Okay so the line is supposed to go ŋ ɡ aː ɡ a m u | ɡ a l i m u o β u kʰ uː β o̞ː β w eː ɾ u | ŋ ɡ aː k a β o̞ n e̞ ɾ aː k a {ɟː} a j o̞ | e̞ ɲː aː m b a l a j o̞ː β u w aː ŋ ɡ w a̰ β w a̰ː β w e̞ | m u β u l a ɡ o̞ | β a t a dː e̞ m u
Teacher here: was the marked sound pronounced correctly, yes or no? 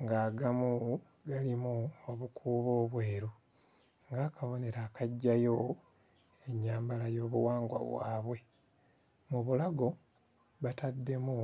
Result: yes